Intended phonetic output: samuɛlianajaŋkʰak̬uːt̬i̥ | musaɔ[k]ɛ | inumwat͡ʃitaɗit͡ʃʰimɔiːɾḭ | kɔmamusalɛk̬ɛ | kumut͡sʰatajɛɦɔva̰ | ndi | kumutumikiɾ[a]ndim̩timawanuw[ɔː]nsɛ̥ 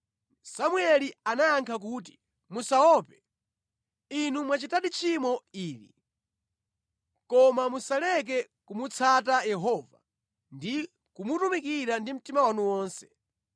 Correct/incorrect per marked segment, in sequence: incorrect, correct, correct

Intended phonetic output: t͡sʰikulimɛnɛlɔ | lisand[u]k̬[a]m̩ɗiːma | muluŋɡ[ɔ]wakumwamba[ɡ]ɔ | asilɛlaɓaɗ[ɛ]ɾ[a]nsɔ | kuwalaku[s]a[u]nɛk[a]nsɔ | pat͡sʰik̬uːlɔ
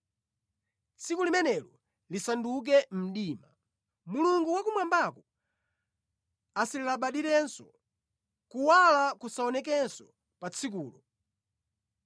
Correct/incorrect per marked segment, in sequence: correct, incorrect, incorrect, incorrect, incorrect, incorrect, correct, incorrect, incorrect

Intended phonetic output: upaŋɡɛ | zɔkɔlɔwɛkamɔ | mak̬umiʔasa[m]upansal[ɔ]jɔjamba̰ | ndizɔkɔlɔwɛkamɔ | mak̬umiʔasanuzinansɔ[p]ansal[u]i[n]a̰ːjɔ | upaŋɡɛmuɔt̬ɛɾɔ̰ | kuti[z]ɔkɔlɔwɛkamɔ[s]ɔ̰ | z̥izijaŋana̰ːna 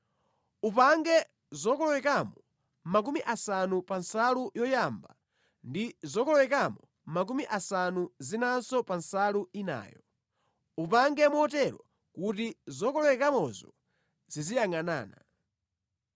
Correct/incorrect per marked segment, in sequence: incorrect, incorrect, correct, correct, correct, correct, incorrect

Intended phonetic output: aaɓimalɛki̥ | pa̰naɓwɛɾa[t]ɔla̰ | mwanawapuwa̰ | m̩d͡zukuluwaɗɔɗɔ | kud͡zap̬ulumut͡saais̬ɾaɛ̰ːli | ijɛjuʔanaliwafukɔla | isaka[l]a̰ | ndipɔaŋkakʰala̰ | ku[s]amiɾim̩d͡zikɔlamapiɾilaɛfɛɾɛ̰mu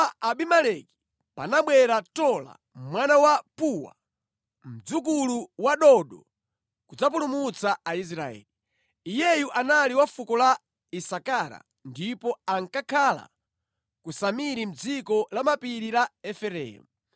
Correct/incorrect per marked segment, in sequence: correct, incorrect, correct

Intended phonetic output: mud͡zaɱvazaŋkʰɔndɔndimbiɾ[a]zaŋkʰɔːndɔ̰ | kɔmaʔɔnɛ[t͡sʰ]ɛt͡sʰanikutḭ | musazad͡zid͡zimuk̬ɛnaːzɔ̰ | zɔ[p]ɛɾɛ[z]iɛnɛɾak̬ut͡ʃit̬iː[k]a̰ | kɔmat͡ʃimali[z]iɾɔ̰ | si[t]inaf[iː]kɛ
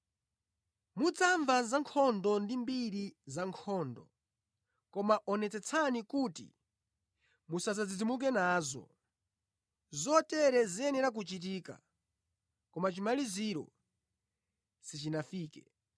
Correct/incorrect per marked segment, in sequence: incorrect, incorrect, incorrect, correct, correct, correct, incorrect, correct

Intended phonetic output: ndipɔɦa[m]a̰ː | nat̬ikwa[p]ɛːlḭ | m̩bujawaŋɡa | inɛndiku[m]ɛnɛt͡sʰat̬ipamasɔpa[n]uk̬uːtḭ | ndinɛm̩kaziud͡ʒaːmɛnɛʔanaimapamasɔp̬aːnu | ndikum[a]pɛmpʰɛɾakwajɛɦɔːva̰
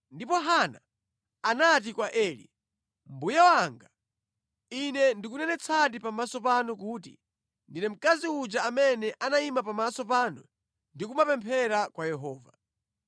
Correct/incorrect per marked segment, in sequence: incorrect, incorrect, incorrect, correct, correct

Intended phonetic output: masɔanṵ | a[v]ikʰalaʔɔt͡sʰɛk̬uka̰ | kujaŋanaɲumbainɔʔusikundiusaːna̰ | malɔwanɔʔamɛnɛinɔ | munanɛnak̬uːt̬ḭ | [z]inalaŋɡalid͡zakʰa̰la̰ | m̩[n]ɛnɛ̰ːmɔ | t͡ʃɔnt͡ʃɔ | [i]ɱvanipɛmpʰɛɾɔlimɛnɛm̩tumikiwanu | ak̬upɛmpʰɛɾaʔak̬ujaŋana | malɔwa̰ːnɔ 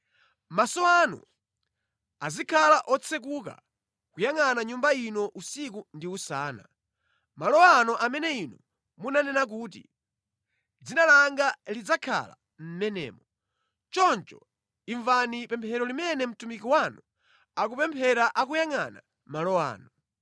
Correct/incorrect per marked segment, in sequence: incorrect, incorrect, incorrect, correct

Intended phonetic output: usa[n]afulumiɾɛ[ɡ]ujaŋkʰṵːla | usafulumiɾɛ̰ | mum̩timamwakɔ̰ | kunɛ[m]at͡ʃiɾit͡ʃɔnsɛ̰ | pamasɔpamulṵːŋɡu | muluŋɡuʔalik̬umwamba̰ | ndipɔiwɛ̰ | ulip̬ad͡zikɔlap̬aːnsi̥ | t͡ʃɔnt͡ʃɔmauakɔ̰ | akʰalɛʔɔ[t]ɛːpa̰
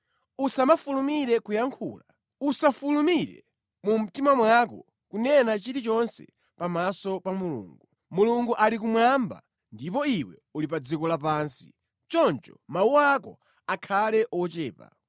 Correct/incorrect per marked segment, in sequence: incorrect, incorrect, incorrect, incorrect

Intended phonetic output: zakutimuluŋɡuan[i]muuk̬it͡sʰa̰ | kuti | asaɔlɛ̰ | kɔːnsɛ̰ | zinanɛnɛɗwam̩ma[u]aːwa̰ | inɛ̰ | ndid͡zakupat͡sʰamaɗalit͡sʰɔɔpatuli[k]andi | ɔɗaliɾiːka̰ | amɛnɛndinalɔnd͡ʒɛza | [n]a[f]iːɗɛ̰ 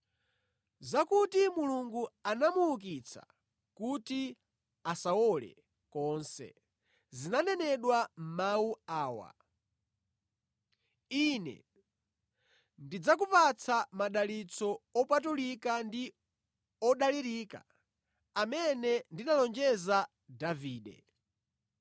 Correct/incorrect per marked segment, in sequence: incorrect, correct, correct, incorrect, incorrect

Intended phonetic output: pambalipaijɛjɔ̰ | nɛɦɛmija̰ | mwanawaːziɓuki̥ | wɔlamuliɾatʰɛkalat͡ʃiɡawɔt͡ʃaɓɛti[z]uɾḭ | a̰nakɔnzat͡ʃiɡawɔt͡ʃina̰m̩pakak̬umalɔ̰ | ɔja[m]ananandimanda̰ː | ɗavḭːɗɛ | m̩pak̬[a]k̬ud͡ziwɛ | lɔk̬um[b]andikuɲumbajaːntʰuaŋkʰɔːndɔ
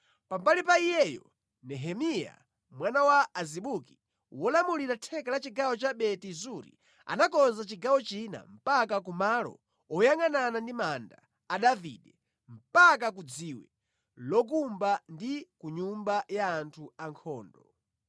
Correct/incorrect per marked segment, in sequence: correct, incorrect, correct, correct

